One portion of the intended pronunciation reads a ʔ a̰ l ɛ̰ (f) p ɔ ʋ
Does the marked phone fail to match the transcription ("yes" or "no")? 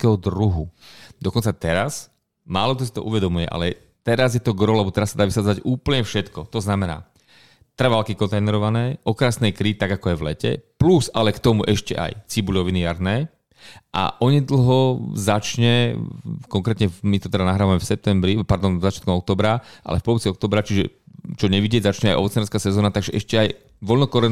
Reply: no